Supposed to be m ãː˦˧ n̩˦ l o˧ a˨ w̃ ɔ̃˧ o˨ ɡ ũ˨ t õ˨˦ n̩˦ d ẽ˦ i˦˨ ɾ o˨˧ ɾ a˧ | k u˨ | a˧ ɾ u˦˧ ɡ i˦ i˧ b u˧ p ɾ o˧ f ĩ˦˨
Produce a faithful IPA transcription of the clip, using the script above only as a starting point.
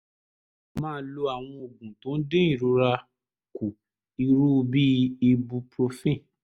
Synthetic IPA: m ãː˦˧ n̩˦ l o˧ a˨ w̃ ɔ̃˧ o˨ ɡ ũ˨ t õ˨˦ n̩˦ d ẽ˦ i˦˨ ɾ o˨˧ ɾ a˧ | k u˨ | i˧ ɾ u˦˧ b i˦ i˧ b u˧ p ɾ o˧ f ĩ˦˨